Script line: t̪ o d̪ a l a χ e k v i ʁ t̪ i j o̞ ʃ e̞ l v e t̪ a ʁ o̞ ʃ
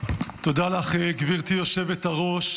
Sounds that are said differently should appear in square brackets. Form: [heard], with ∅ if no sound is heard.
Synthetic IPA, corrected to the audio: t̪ o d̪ a l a χ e [ɡ] v i ʁ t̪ i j o̞ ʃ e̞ [∅] v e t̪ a ʁ o̞ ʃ